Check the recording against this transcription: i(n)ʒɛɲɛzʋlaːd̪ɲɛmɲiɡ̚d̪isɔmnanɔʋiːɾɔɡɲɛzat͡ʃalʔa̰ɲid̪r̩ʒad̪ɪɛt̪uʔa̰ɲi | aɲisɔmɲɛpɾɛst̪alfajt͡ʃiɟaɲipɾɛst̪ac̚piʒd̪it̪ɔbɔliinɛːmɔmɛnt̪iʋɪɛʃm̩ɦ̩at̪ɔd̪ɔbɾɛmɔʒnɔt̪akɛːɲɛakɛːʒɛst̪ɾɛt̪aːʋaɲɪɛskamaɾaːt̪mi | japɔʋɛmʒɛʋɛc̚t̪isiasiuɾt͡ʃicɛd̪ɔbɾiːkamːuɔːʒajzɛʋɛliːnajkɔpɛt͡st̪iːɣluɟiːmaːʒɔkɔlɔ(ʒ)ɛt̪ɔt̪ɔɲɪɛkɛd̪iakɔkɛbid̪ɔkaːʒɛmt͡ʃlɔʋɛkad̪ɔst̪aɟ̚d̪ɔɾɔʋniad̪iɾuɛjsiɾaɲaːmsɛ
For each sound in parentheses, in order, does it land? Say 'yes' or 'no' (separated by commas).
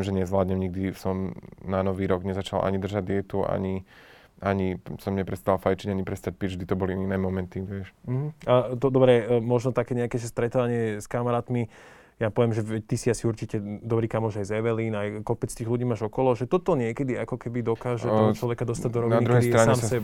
no, yes